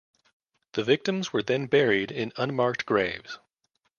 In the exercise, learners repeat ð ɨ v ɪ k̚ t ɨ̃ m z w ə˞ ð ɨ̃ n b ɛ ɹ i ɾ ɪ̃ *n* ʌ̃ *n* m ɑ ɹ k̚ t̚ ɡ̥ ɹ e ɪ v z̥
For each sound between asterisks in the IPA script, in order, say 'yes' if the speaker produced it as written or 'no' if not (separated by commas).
yes, yes